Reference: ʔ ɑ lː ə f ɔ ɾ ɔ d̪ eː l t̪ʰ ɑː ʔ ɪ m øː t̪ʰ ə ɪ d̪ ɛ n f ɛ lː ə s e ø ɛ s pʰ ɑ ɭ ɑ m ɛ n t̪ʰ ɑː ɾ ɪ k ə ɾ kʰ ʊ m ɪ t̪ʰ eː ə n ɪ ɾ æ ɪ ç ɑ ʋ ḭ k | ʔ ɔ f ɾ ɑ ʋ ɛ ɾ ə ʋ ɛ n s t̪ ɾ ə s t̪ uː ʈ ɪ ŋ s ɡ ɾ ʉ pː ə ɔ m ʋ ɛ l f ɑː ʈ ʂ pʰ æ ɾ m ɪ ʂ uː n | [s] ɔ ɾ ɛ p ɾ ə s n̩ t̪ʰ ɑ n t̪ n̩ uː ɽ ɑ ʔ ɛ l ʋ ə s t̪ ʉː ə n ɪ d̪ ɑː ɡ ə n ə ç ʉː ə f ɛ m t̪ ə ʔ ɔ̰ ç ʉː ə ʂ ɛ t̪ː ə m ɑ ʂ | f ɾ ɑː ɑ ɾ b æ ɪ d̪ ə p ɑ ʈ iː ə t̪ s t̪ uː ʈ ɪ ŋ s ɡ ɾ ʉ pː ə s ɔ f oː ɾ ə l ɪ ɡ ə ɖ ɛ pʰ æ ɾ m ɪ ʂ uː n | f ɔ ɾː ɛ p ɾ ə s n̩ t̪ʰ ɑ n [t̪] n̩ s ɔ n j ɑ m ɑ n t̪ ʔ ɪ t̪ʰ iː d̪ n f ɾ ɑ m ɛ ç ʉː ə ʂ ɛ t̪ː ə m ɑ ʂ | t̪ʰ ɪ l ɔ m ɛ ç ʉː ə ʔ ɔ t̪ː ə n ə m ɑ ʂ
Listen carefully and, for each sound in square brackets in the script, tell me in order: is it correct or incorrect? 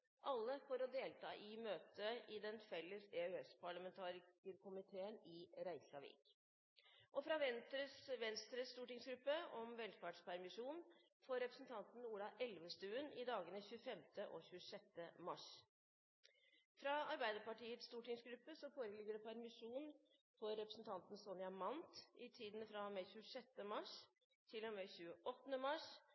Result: incorrect, correct

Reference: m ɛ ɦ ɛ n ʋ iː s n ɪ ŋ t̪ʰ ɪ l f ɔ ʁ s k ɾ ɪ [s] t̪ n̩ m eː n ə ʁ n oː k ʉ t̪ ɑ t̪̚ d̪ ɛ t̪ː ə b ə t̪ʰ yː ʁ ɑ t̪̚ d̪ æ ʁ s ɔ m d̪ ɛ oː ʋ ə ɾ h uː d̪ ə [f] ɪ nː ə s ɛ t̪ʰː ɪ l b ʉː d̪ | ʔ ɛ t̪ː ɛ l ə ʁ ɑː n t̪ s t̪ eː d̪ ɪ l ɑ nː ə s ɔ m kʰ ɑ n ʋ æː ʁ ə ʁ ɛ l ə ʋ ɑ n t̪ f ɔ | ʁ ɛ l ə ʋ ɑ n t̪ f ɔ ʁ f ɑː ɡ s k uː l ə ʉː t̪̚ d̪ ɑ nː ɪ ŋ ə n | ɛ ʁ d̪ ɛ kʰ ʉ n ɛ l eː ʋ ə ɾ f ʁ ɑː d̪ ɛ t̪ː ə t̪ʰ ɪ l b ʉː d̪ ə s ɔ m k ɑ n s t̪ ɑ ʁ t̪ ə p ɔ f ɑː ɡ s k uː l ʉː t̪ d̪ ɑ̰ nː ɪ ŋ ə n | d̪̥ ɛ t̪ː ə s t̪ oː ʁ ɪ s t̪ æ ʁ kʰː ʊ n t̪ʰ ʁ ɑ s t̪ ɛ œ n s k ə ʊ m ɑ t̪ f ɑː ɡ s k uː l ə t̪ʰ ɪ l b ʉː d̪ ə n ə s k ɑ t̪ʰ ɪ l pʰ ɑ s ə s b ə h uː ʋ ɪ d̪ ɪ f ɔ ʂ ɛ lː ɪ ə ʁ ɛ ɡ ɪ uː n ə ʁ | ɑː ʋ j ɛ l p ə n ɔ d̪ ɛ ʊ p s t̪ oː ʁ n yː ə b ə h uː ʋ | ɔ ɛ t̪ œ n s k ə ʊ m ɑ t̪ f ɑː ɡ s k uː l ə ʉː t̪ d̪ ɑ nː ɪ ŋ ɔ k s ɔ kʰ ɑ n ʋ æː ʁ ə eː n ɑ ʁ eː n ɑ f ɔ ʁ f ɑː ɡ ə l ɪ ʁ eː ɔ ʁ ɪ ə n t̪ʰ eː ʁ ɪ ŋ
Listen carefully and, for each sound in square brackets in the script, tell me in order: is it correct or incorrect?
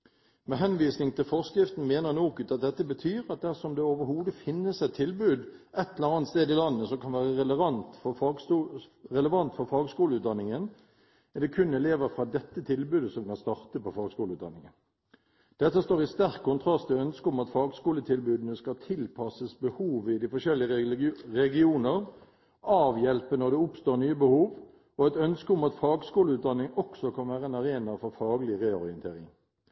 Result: incorrect, correct

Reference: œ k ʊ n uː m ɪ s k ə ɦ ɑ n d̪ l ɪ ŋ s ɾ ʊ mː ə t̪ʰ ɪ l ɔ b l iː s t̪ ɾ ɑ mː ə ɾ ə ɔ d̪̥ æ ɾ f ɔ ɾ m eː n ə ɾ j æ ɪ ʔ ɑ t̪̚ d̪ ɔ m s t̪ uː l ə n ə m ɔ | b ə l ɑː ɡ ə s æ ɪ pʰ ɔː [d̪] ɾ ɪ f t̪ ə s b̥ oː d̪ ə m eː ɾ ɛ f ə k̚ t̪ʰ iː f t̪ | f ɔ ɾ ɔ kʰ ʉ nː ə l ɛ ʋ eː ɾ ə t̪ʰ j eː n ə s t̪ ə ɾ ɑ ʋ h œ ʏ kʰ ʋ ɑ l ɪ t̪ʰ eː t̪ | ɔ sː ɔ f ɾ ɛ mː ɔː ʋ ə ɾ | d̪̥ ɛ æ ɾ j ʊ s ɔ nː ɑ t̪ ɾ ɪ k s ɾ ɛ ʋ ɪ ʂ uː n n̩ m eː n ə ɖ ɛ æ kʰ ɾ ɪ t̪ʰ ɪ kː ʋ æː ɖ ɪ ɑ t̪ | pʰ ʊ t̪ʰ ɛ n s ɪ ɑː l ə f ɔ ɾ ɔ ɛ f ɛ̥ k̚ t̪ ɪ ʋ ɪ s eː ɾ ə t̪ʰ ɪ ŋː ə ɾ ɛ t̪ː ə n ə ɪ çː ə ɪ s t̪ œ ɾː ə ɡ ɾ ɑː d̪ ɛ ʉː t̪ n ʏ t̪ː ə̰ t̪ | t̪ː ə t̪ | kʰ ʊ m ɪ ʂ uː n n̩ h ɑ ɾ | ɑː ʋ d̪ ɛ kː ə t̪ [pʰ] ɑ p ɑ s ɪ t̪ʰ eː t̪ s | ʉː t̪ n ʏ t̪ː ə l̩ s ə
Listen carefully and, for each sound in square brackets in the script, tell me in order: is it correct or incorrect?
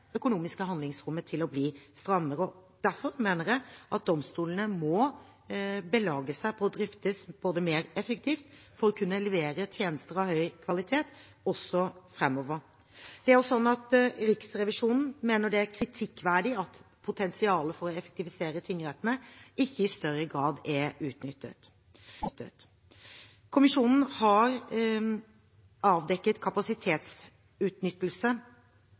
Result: correct, incorrect

